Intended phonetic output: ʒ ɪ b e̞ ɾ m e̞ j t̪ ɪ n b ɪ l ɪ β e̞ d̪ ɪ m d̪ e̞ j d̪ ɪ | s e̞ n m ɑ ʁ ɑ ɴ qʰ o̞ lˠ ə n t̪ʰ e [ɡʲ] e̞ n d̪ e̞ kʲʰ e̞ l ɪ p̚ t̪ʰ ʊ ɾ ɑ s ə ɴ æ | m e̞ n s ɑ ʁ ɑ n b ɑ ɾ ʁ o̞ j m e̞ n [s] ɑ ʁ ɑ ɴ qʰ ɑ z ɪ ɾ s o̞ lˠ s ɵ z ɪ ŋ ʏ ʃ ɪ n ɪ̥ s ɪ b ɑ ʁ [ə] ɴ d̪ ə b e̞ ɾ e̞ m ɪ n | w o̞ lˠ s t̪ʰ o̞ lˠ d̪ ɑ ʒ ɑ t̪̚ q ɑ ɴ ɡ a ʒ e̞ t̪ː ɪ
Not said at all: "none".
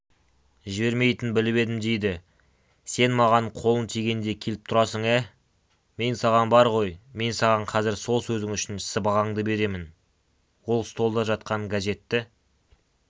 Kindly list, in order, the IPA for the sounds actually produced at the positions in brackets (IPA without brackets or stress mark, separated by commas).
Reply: ɡʲ, s, ɑ